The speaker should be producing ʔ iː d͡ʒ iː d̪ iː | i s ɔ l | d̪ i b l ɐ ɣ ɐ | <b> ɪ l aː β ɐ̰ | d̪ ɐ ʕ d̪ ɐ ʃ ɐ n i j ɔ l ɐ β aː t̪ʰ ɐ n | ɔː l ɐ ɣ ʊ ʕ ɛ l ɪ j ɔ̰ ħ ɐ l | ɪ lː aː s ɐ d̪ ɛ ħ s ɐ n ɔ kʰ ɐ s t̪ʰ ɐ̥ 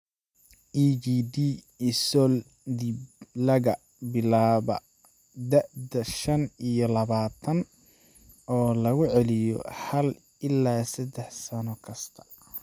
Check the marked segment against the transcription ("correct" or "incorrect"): correct